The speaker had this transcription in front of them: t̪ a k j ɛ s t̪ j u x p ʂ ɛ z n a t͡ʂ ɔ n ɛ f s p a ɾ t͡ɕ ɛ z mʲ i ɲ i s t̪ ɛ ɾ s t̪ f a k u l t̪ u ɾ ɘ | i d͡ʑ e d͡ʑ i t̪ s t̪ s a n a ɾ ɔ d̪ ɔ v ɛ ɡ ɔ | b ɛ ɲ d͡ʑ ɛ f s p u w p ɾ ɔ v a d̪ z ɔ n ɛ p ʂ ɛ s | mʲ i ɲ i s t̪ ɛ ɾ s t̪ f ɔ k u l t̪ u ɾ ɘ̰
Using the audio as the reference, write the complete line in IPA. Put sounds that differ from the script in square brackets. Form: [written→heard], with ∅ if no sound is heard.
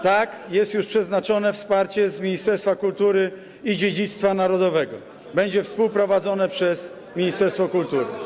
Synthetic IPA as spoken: t̪ a k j ɛ s t̪ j u [x→ʂ] p ʂ ɛ z n a t͡ʂ ɔ n ɛ f s p a ɾ t͡ɕ ɛ z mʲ i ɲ i s t̪ ɛ ɾ s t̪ f a k u l t̪ u ɾ ɘ | i d͡ʑ e d͡ʑ i t̪ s t̪ [s→f] a n a ɾ ɔ d̪ ɔ v ɛ ɡ ɔ | b ɛ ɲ d͡ʑ ɛ f s p u w p ɾ ɔ v a d̪ z ɔ n ɛ p ʂ ɛ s | mʲ i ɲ i s t̪ ɛ ɾ s t̪ f ɔ k u l t̪ u ɾ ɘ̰